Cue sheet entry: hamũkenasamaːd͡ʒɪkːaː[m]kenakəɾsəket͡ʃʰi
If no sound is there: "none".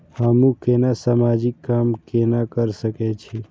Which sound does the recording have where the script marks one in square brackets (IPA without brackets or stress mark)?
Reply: m